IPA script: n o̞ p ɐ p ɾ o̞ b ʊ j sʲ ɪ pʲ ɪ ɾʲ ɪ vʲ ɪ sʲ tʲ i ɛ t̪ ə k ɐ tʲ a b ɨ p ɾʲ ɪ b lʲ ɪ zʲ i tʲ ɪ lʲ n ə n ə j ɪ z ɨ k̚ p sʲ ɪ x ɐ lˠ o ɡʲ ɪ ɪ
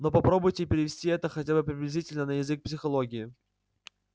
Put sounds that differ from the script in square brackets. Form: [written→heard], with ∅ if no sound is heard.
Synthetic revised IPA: n o̞ p ɐ p ɾ o̞ b ʊ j [sʲ→tʲ] ɪ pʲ ɪ ɾʲ ɪ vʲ ɪ sʲ tʲ i ɛ t̪ ə [k→x] ɐ tʲ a b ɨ p ɾʲ ɪ b lʲ ɪ zʲ i tʲ ɪ lʲ n ə n ə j ɪ z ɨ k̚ p sʲ ɪ x ɐ lˠ o ɡʲ ɪ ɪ